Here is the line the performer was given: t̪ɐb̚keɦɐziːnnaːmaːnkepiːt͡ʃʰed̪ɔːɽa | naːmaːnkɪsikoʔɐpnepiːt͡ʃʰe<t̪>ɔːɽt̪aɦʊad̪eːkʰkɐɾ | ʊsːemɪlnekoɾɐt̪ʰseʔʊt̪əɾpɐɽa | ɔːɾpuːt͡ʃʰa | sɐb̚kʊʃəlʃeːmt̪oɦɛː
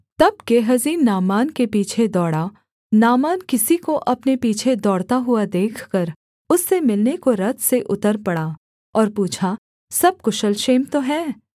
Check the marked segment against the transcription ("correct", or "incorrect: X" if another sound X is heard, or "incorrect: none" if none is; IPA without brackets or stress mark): incorrect: d̪